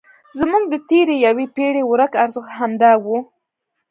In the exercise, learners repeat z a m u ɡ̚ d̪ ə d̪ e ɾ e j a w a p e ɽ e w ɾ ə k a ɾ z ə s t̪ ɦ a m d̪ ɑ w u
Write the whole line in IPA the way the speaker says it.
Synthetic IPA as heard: z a m u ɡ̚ d̪ ə t̪ e ɾ e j a w e p e ɽ e w ɾ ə k a ɾ z ə x t̪ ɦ a m d̪ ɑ w u